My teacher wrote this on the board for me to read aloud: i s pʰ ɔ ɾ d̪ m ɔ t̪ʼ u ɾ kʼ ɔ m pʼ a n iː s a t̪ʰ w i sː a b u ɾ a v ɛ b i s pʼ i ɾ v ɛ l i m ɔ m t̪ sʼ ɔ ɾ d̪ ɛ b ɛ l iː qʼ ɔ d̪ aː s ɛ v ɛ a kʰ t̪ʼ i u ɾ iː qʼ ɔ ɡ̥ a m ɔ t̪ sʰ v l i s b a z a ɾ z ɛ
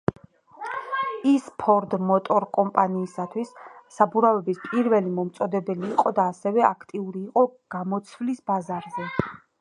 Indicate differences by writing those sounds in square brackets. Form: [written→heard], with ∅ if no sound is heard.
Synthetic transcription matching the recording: i s pʰ ɔ ɾ d̪ m ɔ t̪ʼ [u→ɔ] ɾ kʼ ɔ m pʼ a n iː s a t̪ʰ w i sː a b u ɾ a v ɛ b i s pʼ i ɾ v ɛ l i m ɔ m t̪ sʼ ɔ [ɾ→∅] d̪ ɛ b ɛ l iː qʼ ɔ d̪ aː s ɛ v ɛ a kʰ t̪ʼ i u ɾ iː qʼ ɔ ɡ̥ a m ɔ t̪ sʰ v l i s b a z a ɾ z ɛ